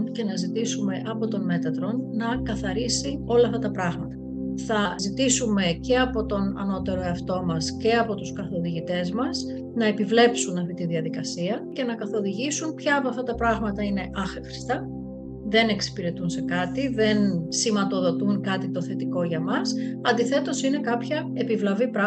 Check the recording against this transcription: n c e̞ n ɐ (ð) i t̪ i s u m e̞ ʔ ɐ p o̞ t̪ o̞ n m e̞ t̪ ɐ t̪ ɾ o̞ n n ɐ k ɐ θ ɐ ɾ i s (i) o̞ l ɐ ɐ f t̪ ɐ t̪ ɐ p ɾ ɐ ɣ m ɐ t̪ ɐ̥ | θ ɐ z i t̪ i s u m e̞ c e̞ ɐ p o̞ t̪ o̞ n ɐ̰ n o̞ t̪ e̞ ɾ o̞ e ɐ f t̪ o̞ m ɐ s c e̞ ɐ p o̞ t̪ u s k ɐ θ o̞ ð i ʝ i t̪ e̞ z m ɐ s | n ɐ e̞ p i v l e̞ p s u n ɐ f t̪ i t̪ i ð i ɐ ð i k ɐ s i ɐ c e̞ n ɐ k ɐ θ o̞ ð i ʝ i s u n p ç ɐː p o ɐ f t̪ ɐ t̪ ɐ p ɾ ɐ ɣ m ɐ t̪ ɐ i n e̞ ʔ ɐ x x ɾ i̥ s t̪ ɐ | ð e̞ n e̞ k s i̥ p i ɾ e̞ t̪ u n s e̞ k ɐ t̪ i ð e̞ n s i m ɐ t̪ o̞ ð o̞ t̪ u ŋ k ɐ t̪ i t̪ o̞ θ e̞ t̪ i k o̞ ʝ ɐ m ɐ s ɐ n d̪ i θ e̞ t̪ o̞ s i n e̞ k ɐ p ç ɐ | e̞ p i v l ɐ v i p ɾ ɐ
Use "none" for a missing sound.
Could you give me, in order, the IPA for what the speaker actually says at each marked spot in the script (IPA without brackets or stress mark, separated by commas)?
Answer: z, i